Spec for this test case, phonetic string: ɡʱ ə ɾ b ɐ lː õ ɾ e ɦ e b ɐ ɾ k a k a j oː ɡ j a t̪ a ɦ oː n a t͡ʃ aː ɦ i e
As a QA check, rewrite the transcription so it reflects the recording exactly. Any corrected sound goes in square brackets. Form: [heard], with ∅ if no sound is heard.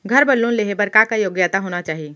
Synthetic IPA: ɡʱ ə ɾ b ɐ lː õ [l] e ɦ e b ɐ ɾ k a k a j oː ɡ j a t̪ a ɦ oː n a t͡ʃ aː ɦ i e